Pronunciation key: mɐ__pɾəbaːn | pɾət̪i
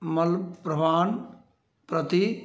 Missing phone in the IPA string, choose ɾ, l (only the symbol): l